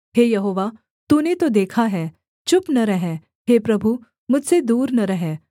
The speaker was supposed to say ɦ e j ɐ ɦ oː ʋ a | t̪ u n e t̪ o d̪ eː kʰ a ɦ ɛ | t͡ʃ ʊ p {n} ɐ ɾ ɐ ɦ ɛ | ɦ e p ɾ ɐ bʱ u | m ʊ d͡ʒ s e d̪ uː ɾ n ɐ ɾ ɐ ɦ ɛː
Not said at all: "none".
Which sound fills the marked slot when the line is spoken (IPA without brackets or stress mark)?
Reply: n